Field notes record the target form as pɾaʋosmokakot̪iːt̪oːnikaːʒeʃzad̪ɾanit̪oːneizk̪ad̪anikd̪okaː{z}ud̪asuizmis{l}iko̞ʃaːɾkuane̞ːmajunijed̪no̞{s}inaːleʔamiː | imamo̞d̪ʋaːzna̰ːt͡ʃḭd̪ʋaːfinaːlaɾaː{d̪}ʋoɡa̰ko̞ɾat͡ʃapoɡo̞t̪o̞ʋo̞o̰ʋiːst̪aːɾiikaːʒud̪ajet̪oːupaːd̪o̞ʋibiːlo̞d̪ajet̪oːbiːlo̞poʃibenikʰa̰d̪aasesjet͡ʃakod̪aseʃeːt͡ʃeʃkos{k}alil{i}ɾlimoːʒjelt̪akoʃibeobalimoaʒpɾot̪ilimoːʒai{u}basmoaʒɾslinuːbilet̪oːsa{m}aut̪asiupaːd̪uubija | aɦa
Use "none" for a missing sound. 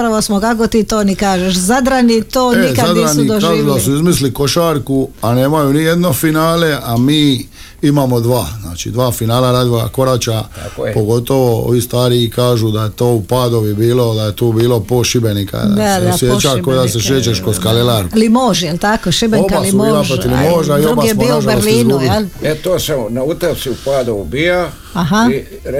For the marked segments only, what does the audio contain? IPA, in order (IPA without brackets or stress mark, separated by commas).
ʒ, l, f, d̪, k, a, o, n